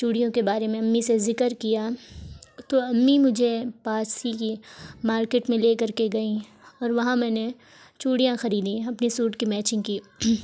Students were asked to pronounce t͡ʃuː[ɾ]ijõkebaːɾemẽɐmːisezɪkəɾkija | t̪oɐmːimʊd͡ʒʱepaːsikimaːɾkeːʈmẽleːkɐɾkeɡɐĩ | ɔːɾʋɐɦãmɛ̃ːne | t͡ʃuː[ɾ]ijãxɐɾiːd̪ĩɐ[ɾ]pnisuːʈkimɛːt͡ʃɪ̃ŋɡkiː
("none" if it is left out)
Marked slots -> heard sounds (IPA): ɽ, ɽ, none

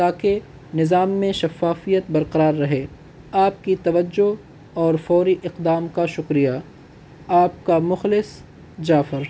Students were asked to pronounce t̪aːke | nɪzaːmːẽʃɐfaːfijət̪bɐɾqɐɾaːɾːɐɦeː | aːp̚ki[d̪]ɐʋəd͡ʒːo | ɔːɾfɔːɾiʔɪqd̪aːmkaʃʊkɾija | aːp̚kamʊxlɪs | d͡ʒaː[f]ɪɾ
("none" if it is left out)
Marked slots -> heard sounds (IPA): t̪, f

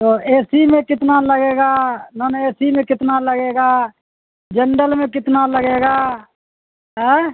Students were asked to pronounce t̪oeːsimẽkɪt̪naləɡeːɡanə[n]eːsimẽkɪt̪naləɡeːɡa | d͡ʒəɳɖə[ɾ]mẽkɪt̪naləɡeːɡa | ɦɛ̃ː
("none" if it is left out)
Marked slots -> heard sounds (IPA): n, l

